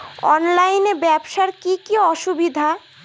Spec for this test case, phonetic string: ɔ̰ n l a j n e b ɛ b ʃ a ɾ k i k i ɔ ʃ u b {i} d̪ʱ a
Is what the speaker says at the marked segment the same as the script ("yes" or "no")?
yes